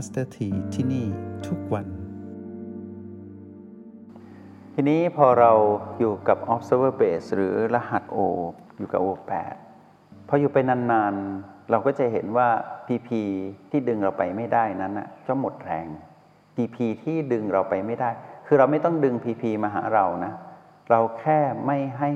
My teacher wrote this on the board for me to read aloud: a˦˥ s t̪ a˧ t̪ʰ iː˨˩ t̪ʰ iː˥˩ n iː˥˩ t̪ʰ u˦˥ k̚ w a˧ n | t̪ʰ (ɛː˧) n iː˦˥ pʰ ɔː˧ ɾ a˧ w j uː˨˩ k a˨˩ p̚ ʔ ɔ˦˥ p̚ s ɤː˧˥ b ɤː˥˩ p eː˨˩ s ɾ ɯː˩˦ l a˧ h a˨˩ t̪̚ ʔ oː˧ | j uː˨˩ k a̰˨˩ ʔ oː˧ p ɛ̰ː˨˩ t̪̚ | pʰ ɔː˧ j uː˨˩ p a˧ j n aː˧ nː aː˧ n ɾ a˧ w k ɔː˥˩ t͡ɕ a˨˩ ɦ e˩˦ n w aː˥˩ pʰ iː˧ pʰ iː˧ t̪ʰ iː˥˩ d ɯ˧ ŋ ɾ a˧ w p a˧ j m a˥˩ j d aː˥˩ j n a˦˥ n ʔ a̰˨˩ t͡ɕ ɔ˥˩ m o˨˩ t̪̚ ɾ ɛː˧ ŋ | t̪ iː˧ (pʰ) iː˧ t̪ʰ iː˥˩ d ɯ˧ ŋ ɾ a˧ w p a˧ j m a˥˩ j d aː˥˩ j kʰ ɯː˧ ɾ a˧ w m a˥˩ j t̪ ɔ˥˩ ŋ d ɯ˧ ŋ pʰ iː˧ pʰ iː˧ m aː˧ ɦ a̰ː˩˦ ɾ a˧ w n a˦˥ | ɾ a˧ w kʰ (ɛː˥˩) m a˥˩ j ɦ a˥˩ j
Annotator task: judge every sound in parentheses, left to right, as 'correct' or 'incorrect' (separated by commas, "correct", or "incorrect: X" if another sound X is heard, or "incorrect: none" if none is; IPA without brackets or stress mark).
incorrect: iː˧, correct, correct